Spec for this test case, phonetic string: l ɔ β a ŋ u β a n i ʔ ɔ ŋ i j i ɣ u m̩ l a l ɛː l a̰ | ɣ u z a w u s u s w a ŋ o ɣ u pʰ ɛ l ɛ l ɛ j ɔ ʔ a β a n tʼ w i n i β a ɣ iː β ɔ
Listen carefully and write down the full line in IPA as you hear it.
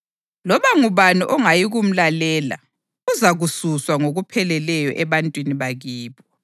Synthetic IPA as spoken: l ɔ β a ŋ u β a n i ʔ ɔ ŋ a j i ɣ u m̩ l a l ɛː l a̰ | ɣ u z a ɣ u s u s w a ŋ o ɣ u pʰ ɛ l ɛ l ɛ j ɔ ʔ ɛ β a n tʼ w i n i β a ɣ iː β ɔ